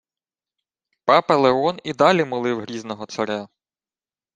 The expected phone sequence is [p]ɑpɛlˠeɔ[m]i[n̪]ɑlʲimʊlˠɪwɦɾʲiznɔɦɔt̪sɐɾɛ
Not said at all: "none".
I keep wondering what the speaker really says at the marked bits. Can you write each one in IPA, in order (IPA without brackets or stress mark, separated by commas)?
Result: p, n, d̪